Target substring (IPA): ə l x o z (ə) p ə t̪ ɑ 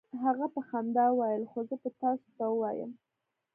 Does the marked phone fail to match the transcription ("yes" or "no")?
no